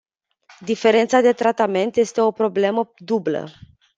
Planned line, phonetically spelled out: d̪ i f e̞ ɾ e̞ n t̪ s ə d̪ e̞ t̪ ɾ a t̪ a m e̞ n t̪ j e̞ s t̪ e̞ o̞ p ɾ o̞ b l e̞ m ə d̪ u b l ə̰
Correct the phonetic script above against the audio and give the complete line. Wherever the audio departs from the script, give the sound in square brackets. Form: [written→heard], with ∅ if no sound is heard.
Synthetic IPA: d̪ i f e̞ ɾ e̞ n t̪ s [ə→a] d̪ e̞ t̪ ɾ a t̪ a m e̞ n t̪ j e̞ s t̪ e̞ o̞ p ɾ o̞ b l e̞ m ə d̪ u b l ə̰